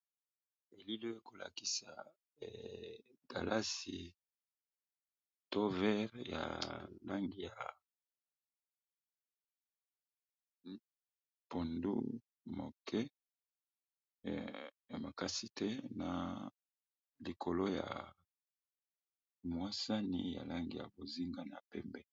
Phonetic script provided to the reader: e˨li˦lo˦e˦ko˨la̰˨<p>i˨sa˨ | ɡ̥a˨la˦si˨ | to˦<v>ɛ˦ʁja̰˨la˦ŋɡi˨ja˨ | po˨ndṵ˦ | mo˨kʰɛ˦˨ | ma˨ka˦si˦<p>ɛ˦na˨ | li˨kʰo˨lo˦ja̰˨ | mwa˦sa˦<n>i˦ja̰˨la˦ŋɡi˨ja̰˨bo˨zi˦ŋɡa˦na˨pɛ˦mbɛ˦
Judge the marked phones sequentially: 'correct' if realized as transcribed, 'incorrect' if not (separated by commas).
incorrect, correct, incorrect, correct